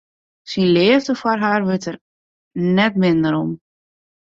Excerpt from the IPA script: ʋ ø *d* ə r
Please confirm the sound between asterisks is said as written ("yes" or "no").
no